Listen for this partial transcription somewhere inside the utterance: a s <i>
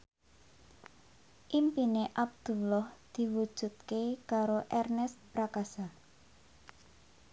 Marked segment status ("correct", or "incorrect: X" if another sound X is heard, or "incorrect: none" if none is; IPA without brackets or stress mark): incorrect: a